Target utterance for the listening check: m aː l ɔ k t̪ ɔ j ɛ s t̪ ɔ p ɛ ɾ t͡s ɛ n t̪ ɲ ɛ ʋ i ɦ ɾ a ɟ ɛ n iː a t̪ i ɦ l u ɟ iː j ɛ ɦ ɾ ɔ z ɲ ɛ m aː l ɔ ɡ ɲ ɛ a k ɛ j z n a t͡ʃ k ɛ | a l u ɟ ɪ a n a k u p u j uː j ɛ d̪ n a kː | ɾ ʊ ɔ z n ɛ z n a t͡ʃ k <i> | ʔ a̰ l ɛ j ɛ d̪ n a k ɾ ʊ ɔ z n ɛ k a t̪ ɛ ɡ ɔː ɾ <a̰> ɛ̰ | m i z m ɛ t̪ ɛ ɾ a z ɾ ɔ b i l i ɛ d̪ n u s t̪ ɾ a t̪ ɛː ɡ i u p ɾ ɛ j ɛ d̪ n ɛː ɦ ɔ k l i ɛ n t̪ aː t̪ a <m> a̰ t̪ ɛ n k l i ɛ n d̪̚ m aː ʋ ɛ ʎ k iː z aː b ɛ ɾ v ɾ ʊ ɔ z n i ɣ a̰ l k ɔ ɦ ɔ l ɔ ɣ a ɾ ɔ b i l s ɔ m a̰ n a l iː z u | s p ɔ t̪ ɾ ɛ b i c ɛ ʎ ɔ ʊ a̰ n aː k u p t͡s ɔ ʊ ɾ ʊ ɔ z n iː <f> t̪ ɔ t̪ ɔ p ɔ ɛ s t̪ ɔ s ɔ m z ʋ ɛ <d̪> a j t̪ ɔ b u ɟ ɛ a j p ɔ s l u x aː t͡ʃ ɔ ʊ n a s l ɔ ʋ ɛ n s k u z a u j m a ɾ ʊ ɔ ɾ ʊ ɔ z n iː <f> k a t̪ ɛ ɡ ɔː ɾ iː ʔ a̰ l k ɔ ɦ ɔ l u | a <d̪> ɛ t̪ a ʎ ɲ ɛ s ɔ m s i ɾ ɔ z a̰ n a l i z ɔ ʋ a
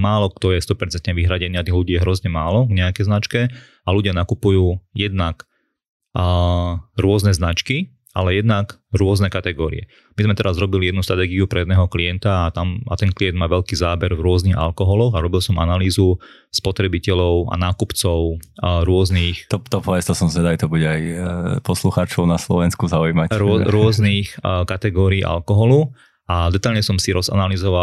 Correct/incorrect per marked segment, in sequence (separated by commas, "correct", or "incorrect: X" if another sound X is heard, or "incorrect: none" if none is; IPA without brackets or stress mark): correct, incorrect: ḭ, correct, incorrect: x, correct, incorrect: x, correct